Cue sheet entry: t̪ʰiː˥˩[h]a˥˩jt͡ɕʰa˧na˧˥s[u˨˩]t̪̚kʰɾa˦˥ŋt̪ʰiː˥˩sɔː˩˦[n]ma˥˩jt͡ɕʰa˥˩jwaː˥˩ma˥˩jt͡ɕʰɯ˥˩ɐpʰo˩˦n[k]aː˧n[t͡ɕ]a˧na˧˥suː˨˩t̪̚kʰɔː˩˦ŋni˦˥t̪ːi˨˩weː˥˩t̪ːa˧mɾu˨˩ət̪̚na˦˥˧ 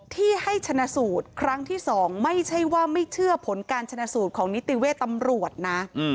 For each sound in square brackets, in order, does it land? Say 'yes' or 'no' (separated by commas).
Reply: yes, no, no, yes, no